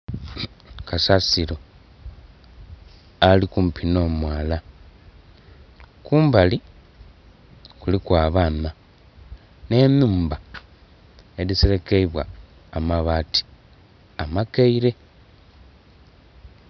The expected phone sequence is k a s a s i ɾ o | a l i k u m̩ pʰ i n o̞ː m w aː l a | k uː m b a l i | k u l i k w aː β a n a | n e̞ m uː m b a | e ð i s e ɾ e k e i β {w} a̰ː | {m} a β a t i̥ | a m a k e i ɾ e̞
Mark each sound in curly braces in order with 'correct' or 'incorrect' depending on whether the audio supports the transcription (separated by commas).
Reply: correct, correct